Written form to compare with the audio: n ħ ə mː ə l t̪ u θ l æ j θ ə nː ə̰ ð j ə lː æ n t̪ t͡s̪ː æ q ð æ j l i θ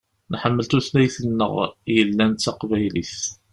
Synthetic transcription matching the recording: n ħ ə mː ə l t̪ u θ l æ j θ ə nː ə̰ ʁ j ə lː æ n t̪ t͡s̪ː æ q v æ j l i θ